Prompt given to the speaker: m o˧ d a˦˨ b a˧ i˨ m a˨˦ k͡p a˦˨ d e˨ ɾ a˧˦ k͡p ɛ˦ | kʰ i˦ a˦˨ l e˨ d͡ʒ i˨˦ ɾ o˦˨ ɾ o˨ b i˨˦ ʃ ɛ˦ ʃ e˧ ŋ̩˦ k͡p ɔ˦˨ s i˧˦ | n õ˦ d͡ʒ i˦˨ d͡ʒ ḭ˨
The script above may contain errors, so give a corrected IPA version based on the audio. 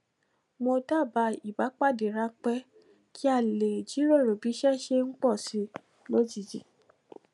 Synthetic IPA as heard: m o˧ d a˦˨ b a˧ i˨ b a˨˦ k͡p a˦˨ d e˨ ɾ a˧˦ k͡p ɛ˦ | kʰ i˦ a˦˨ l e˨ d͡ʒ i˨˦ ɾ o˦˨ ɾ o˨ b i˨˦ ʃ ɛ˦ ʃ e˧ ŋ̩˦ k͡p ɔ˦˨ s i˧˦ | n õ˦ d͡ʒ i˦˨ d͡ʒ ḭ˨